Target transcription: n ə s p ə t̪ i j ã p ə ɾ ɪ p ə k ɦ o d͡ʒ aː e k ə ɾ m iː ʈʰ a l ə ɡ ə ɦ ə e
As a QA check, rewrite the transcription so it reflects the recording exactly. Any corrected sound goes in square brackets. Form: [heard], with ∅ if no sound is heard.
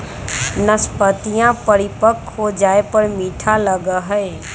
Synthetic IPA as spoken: n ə s p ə t̪ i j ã p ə ɾ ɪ p ə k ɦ o d͡ʒ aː e [p] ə ɾ m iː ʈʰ a l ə ɡ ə ɦ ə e